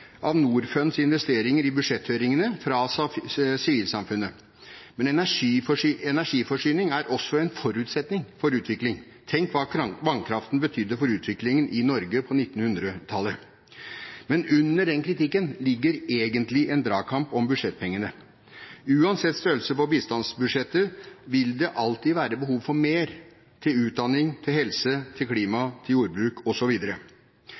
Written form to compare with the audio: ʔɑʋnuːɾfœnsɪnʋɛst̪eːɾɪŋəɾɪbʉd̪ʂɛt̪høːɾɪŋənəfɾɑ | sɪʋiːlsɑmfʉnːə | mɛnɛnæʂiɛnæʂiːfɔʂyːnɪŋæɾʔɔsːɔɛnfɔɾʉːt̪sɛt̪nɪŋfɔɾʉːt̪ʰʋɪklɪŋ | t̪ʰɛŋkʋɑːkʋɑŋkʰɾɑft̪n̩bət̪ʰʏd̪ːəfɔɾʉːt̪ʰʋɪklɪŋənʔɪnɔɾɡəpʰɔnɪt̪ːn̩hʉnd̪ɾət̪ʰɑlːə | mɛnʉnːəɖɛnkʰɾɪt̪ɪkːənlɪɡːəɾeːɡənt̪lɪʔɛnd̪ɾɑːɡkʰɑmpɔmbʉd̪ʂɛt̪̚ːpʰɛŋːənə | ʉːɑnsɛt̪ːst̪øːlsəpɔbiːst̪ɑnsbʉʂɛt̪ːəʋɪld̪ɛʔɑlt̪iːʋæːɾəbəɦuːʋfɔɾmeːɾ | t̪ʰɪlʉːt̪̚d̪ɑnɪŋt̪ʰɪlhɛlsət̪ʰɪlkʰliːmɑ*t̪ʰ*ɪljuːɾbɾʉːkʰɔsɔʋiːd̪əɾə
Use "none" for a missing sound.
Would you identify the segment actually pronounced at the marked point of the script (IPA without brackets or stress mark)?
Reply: t̪ʰ